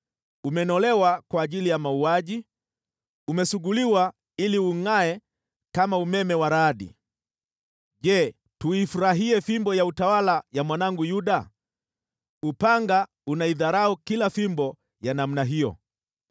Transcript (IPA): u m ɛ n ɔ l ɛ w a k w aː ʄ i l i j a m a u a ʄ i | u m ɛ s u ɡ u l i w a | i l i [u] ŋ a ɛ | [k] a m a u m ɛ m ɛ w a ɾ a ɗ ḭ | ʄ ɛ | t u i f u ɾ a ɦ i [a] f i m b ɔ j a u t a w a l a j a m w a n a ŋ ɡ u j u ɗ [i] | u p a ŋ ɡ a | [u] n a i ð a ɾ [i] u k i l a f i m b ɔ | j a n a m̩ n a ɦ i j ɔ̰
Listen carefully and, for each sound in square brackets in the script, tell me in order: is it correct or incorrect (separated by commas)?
correct, correct, incorrect, incorrect, correct, incorrect